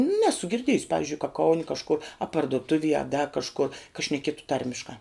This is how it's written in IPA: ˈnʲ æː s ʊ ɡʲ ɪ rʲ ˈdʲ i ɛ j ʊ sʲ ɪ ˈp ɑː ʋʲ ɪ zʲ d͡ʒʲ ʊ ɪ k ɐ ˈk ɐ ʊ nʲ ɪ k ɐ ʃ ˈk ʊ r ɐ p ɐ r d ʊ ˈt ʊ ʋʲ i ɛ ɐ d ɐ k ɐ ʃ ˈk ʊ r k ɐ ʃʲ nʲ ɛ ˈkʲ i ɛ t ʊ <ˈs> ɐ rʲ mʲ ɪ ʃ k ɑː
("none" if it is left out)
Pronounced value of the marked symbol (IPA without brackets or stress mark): t